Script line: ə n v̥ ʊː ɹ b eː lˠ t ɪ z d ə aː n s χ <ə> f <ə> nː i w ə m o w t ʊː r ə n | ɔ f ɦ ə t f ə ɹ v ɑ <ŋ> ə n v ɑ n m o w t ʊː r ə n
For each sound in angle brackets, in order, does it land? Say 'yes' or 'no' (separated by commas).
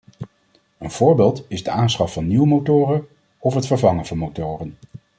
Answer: no, no, yes